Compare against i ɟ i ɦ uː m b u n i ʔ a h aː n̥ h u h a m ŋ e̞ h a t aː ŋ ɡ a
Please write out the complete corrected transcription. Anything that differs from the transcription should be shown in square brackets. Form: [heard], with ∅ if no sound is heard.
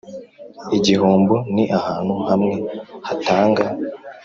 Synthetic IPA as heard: i ɟ i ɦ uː m b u n i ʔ a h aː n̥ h u h a m ŋ e̞ h a t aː ŋ ɡ a